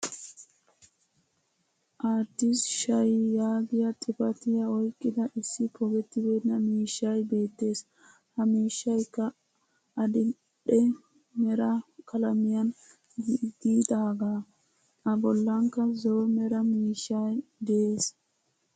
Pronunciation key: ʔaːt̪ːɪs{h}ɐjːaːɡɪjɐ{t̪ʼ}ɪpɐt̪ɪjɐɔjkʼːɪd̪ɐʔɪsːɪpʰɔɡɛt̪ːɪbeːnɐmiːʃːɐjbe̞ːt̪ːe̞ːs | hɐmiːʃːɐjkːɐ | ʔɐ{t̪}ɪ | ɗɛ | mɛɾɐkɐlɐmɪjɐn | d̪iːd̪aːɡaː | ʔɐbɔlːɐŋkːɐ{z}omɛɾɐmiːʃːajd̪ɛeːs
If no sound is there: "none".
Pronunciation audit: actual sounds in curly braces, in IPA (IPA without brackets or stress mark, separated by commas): ʃ, t̪ʼ, d̪, z